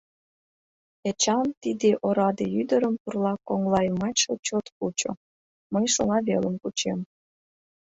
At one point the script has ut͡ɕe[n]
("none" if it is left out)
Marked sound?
m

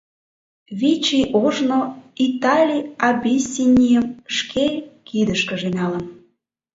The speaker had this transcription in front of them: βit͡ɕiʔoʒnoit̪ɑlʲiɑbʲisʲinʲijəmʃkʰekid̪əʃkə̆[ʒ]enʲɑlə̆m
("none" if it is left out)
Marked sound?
ʒ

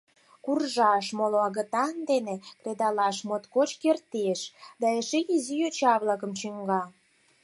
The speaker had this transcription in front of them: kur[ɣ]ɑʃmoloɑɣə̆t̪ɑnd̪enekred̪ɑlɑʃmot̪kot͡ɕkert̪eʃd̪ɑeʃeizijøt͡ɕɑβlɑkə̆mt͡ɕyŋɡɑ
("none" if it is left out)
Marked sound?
ʒ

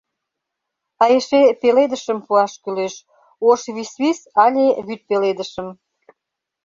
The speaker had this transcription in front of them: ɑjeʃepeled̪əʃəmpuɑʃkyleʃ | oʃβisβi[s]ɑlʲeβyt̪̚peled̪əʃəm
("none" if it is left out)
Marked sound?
s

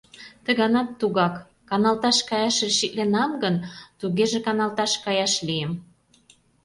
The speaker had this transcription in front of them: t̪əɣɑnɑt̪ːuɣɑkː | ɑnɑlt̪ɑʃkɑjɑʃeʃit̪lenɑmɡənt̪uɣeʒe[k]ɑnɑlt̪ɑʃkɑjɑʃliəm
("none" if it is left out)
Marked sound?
k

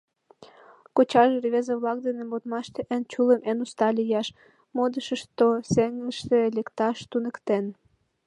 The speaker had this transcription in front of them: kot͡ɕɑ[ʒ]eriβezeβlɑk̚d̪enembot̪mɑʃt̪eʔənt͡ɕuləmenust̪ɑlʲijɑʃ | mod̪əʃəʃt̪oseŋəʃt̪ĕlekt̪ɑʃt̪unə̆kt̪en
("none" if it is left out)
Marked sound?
ʒ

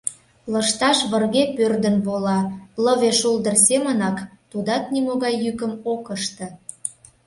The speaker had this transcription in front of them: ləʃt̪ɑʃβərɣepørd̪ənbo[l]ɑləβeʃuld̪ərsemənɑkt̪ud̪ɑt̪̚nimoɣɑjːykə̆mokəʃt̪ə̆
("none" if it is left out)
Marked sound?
l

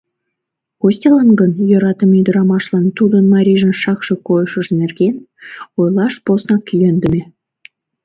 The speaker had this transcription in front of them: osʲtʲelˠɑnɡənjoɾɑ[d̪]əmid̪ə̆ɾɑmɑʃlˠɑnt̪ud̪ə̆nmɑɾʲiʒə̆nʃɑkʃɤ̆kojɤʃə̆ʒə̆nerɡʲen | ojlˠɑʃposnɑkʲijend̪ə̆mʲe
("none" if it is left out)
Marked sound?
t̪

